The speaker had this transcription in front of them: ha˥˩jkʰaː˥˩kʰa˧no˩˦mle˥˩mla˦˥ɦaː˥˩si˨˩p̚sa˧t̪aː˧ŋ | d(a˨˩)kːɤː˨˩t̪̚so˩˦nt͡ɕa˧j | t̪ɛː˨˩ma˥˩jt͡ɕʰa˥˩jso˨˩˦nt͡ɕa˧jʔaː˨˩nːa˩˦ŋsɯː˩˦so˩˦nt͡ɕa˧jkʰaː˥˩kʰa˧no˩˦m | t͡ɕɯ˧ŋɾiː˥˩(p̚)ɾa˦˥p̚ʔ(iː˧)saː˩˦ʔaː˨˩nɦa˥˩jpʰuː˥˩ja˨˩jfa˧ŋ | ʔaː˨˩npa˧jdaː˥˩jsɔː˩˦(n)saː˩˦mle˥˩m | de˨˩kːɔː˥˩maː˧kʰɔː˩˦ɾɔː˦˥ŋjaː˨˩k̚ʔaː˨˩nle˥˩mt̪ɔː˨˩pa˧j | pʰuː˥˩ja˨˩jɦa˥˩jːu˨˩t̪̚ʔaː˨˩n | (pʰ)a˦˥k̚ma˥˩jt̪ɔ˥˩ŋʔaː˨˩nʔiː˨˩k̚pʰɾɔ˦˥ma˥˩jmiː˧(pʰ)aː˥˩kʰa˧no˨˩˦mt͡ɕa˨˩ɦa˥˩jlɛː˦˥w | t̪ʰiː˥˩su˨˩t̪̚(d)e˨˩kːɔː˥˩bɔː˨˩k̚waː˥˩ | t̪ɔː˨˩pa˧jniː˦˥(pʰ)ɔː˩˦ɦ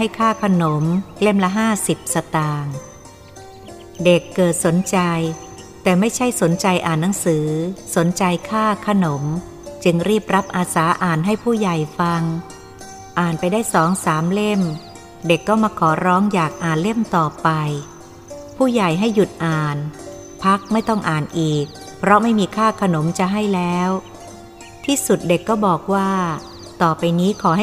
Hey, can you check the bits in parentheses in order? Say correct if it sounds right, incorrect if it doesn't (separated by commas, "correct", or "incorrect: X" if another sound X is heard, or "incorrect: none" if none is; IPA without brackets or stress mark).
incorrect: e˨˩, correct, incorrect: aː˧, incorrect: ŋ, correct, incorrect: kʰ, correct, incorrect: kʰ